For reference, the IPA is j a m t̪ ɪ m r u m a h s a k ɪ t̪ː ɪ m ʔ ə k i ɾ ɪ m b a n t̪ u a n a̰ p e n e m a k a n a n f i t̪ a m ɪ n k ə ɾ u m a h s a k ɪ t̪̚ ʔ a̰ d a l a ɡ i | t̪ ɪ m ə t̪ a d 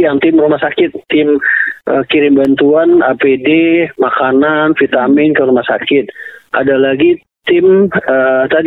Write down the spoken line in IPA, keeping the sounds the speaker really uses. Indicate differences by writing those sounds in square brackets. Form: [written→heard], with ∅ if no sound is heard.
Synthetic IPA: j a [m→ŋ] t̪ ɪ m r u m a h s a k ɪ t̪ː ɪ m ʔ ə k i ɾ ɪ m b a n t̪ u a n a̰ p e [n→d] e m a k a n a n f i t̪ a m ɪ n k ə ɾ u m a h s a k ɪ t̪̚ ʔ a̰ d a l a ɡ i | t̪ ɪ m ə t̪ a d